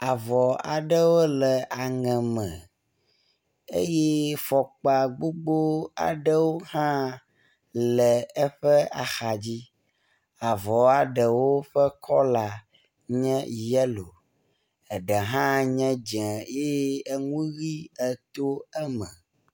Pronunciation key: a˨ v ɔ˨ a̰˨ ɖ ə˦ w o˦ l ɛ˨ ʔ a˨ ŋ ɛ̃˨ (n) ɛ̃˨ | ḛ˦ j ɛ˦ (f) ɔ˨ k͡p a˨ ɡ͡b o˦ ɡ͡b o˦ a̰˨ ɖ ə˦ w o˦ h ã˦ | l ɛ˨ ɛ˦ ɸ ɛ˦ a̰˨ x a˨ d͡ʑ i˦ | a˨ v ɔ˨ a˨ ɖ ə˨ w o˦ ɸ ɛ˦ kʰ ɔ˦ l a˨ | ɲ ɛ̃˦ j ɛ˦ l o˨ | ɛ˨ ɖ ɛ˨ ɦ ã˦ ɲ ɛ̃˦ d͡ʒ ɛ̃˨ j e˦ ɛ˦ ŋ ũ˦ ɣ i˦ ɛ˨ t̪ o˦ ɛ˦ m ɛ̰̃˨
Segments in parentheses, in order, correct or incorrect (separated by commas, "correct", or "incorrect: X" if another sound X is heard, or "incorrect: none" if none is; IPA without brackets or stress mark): incorrect: m, correct